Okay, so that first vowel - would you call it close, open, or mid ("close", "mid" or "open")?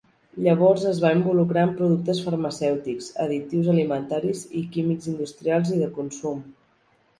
mid